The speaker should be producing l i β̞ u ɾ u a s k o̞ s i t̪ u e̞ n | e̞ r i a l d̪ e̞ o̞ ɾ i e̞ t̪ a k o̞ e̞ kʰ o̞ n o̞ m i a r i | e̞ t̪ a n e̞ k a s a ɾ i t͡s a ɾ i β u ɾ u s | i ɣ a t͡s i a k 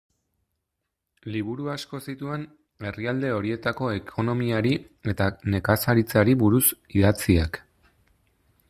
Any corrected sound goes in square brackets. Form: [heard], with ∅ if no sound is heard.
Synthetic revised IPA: l i β̞ u ɾ u a s k o̞ s i t̪ u e̞ n | e̞ r i a l d̪ e̞ o̞ ɾ i e̞ t̪ a k o̞ e̞ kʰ o̞ n o̞ m i a [ɾ] i | e̞ t̪ a n e̞ k a s a ɾ i t͡s a ɾ i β u ɾ u s | i [ð] a t͡s i a k